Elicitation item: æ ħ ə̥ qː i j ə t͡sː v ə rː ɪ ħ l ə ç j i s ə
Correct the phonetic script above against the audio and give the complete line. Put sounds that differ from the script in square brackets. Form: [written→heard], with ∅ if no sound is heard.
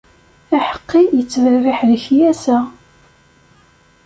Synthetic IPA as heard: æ ħ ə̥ qː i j ə t͡sː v ə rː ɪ ħ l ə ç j [i→æ] s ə

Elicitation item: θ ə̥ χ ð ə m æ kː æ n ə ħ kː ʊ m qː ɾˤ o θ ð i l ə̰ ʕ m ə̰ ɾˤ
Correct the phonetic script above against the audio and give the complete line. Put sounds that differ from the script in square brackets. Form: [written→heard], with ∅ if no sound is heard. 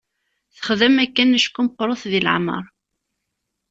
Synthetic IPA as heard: θ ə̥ χ ð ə m æ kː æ n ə [ħ→ʃ] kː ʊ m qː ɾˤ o θ ð i l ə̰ ʕ m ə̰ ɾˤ

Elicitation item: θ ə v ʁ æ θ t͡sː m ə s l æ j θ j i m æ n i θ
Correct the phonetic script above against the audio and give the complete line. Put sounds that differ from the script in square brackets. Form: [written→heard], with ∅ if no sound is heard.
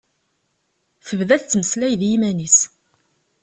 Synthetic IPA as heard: θ ə v [ʁ→ð] æ θ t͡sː m ə s l æ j [θ→ð] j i m æ n i [θ→s]

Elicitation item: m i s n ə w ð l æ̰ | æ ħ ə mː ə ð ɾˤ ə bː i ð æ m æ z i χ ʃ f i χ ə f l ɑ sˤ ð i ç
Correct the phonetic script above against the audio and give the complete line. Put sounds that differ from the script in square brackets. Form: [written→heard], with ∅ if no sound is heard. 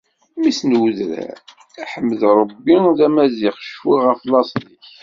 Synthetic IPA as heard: m i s n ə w ð [l→ɾ] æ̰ | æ ħ ə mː ə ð ɾˤ ə bː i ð æ m æ z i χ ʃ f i [χ→ʁ] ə f l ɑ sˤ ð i ç

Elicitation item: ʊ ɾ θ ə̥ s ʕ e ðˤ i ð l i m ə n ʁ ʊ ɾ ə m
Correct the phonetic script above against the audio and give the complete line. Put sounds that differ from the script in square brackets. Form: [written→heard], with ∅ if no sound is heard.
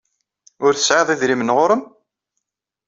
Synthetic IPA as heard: ʊ ɾ θ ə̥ s ʕ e ðˤ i ð [l→ɾ] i m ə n ʁ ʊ ɾ ə m

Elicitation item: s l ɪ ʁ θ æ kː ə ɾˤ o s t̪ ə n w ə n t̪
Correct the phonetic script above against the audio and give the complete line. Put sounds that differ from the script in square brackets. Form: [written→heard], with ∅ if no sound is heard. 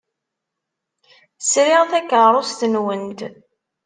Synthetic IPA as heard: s [l→ɾ] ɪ ʁ θ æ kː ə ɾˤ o s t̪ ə n w ə n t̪

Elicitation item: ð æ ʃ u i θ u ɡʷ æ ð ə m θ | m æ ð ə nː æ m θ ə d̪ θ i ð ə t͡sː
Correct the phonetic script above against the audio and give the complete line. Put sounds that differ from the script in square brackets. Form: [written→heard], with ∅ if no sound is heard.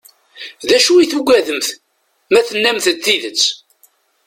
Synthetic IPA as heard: ð æ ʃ u i θ u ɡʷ æ ð ə m θ | m æ [ð→θ] ə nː æ m θ ə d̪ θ i ð ə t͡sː

